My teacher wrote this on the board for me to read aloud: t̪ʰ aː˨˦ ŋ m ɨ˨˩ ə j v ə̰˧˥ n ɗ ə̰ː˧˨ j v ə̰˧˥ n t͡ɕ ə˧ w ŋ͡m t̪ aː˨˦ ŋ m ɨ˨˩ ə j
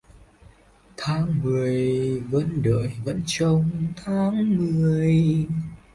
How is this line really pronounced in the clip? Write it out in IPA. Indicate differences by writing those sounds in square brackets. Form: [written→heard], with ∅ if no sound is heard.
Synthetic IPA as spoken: t̪ʰ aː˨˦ ŋ m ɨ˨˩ ə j v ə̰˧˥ n ɗ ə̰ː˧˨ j v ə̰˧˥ n t͡ɕ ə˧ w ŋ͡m [t̪→t̪ʰ] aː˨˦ ŋ m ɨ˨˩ ə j